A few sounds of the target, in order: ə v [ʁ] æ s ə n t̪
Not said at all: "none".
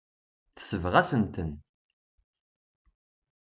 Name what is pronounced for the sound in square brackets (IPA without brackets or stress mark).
ʁ